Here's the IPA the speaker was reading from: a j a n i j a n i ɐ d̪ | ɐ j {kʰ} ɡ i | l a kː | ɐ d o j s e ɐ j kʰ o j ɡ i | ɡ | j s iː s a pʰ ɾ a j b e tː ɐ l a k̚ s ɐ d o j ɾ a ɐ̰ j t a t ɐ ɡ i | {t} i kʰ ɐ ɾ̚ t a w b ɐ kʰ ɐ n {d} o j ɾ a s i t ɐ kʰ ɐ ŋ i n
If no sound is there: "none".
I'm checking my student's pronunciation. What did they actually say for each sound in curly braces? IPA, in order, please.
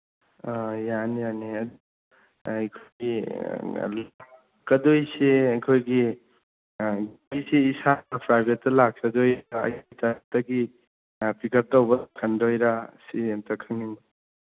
kʰ, p, d

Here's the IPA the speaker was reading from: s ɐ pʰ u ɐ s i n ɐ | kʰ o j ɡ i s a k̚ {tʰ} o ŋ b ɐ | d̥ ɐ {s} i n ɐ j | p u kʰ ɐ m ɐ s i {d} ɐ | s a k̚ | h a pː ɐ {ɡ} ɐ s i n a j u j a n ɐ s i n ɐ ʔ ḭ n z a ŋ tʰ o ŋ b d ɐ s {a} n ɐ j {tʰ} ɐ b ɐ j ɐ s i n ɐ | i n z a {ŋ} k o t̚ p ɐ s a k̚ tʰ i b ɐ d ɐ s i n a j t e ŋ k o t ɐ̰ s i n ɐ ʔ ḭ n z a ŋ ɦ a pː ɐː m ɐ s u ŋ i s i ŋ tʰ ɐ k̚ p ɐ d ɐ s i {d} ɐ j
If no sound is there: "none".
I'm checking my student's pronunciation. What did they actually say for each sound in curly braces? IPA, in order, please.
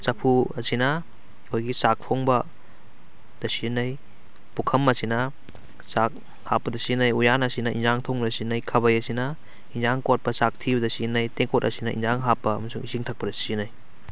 pʰ, s, n, d, i, kʰ, ŋ, n

